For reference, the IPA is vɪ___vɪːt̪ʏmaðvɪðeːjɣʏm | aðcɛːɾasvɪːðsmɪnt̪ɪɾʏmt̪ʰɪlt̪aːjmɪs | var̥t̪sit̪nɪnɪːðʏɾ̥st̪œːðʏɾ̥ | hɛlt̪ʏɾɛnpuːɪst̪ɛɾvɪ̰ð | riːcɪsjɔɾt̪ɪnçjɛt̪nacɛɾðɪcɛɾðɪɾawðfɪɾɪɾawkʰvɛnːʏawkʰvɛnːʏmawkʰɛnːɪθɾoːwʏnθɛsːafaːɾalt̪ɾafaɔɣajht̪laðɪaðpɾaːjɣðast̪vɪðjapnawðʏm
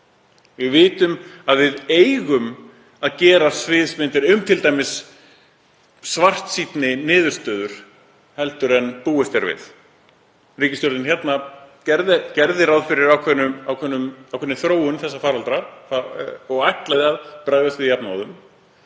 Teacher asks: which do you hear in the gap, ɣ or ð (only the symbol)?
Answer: ɣ